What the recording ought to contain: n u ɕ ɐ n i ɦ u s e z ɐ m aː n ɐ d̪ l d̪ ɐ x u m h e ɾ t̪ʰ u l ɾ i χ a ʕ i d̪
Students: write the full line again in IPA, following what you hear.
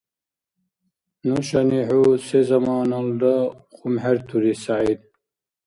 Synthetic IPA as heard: n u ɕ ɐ n i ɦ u s e z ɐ m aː n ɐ l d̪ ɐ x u m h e ɾ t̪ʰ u ɾ i s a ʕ i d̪